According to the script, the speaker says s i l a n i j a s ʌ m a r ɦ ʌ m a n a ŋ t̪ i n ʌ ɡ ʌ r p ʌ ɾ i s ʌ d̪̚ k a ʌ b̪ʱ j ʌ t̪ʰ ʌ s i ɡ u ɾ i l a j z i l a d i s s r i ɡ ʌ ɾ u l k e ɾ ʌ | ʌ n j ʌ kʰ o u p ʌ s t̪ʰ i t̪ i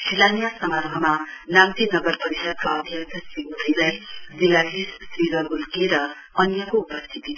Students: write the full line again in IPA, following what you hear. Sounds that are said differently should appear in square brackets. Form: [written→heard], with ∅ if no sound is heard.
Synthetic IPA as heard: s i l a n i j a s ʌ m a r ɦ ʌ m a n a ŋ t̪ i n ʌ ɡ ʌ r p ʌ ɾ i s ʌ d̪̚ k a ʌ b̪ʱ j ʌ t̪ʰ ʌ s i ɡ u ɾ i l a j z i l a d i s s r i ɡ ʌ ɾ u l k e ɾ ʌ | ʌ n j ʌ [kʰ→k] o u p ʌ s t̪ʰ i t̪ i

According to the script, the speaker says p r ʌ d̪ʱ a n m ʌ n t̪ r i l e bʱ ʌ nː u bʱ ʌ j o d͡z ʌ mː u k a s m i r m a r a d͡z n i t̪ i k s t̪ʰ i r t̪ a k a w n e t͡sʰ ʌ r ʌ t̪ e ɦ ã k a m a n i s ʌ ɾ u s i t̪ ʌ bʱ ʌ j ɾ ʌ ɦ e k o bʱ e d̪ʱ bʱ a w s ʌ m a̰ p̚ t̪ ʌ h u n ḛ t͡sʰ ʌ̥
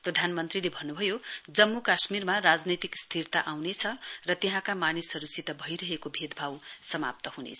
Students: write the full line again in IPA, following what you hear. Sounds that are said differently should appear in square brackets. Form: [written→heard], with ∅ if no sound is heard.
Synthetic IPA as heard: p r ʌ d̪ʱ a n m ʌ n t̪ r i l e bʱ ʌ nː u bʱ ʌ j o d͡z ʌ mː u k a s m i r m a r a d͡z n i t̪ i k s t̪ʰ i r t̪ a [k→ʔ] a w n e t͡sʰ ʌ r ʌ t̪ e ɦ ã k a m a n i s ʌ ɾ u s i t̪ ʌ bʱ ʌ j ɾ ʌ ɦ e k o bʱ e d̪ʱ bʱ a w s ʌ m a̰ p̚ t̪ ʌ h u n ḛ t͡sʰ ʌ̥

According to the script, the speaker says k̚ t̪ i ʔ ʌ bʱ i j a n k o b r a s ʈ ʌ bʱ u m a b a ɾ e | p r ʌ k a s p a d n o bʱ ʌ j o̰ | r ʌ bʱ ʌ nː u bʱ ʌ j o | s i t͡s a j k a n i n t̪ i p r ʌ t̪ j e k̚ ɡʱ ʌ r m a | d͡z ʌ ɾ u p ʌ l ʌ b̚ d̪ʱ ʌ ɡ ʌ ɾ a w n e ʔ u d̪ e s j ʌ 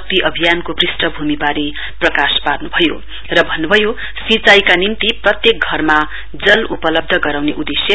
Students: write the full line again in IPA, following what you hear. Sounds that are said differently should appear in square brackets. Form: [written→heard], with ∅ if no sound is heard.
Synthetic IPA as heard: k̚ t̪ i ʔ ʌ bʱ i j a n k o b r [a→i] s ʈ ʌ bʱ u m [a→i] b a ɾ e | p r ʌ k a s p a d n [o→u] bʱ ʌ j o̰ | r ʌ bʱ ʌ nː u bʱ ʌ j o | s i t͡s a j k a n i n t̪ i p r ʌ t̪ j e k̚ ɡʱ ʌ r m a | d͡z ʌ [ɾ→l] u p ʌ l ʌ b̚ d̪ʱ ʌ ɡ ʌ ɾ a w n e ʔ u d̪ e s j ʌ

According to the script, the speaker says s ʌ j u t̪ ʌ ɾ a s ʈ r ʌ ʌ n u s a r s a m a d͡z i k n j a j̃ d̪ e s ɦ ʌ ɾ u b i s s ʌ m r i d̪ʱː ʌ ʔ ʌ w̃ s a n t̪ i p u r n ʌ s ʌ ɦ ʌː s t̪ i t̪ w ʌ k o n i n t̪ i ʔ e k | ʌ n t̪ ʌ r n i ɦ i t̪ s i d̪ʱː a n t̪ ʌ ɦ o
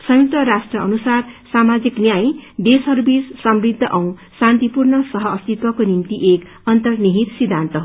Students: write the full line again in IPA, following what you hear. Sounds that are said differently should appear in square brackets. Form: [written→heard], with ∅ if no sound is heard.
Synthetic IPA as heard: s ʌ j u t̪ ʌ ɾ a s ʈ r ʌ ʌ n u s a r s a m a d͡z i k n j a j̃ d̪ e s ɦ ʌ ɾ u b i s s ʌ m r i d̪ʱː ʌ ʔ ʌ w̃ s a n t̪ i p u r n ʌ s ʌ ɦ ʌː s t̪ i t̪ w ʌ k o n i [n→m] t̪ i ʔ e k | ʌ n t̪ ʌ r n i ɦ i t̪ s i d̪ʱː a n t̪ ʌ ɦ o

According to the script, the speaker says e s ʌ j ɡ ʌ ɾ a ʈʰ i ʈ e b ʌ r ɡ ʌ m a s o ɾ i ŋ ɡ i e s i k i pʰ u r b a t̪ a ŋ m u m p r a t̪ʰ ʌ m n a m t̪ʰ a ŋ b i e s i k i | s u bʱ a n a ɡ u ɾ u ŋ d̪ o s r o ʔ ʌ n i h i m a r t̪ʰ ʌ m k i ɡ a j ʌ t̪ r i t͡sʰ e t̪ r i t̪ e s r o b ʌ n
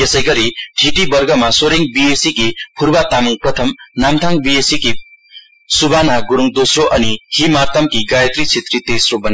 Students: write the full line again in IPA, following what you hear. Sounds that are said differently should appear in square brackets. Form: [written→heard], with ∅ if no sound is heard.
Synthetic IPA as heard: e s ʌ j ɡ ʌ ɾ [a→i] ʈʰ i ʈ [e→i] b ʌ r ɡ ʌ m a s o ɾ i ŋ [ɡ→b] i e s i k i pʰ u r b a t̪ a [ŋ→∅] m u [m→ŋ] p r [a→ʌ] t̪ʰ ʌ m n a m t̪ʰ a ŋ b i e s i k i | s u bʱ a n a ɡ u ɾ u ŋ d̪ o s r o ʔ ʌ n i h i m a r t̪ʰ ʌ m k i ɡ a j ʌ t̪ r i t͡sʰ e t̪ r i t̪ e s r o b ʌ n

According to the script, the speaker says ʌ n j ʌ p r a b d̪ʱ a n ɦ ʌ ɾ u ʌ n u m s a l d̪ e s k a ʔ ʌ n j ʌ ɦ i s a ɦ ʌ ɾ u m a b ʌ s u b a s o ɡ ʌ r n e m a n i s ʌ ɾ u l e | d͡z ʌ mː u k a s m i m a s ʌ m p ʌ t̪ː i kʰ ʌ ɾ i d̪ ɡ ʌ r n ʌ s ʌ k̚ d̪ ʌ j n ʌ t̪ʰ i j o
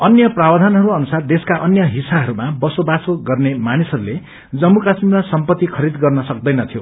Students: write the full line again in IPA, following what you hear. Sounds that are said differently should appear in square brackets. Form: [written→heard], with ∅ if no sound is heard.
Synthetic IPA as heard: ʌ n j ʌ p r a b d̪ʱ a n ɦ ʌ ɾ u ʌ n u [m→∅] s a [l→r] d̪ e s k a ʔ ʌ n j ʌ ɦ i s a ɦ ʌ ɾ u m a b ʌ s [u→o] b a s o ɡ ʌ r n e m a n i s ʌ ɾ u l e | d͡z ʌ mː u k a s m i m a s ʌ m p ʌ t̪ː i kʰ ʌ ɾ i d̪ ɡ ʌ r n ʌ s ʌ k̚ d̪ ʌ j n ʌ t̪ʰ i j o

